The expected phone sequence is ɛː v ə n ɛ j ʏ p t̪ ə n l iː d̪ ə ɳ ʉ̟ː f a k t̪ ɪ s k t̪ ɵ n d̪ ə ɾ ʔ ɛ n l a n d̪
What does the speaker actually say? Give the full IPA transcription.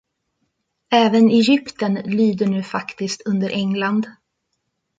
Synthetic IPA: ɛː v ə n ɛ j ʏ p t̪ ə n l yː d̪ ə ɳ ʉ̟ː f a k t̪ ɪ s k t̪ ɵ n d̪ ə ɾ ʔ ɛ ŋ l a n d̪

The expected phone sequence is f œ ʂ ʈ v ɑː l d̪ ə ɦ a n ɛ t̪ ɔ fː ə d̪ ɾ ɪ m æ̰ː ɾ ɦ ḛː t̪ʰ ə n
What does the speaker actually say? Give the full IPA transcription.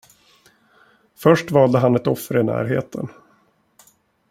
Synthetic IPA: f œ ʂ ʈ v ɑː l d̪ ə ɦ a n ɛ t̪ ɔ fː ə ɾ ɪ n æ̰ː ɾ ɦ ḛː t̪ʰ ə n

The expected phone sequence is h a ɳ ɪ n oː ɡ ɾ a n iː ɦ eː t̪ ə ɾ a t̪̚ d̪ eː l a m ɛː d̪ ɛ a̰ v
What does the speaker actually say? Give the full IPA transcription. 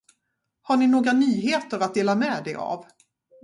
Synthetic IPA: h a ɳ ɪ n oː ɡ ɾ a n yː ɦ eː t̪ ə ɾ a t̪̚ d̪ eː l a m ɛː d̪ ɛ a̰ v

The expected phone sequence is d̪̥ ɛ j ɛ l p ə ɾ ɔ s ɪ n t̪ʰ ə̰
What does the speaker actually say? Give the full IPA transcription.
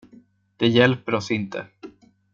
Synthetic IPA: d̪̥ ɛ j ɛ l p ə ɾ ɔ s ɪ n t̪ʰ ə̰

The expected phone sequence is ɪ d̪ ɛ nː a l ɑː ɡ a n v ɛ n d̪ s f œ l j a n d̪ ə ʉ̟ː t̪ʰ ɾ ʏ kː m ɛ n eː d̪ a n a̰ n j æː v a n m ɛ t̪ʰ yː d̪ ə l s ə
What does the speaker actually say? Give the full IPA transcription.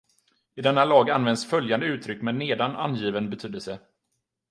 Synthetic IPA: ɪ d̪ ɛ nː a l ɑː ɡ a n v ɛ n d̪ s f œ l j a n d̪ ə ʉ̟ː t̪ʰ ɾ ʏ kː m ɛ n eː d̪ a n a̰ n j iː v ə n b ɛ t̪ʰ yː d̪ ə l s ə

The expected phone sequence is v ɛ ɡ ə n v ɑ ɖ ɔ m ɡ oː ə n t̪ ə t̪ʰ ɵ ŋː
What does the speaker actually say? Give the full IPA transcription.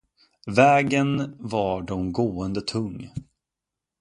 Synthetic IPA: v ɛː ɡ ə n v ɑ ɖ ɔ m ɡ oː ə n d̪ ə t̪ʰ ɵ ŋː

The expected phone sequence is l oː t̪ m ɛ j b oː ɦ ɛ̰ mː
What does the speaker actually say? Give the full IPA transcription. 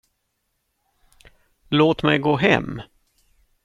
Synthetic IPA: l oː t̪ m ɛ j ɡ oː ɦ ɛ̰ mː

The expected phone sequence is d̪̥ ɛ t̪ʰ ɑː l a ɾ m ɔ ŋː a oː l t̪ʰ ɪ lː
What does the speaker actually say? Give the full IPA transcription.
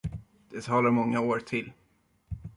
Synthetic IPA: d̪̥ ɛ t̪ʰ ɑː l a ɾ m ɔ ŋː a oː ɾ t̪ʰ ɪ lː

